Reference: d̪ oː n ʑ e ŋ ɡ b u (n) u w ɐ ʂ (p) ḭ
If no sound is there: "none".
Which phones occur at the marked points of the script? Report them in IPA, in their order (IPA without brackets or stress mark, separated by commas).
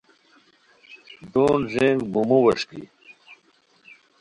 m, k